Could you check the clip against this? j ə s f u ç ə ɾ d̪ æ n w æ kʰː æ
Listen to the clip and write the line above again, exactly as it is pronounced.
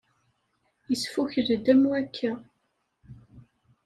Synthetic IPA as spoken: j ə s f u ç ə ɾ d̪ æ m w æ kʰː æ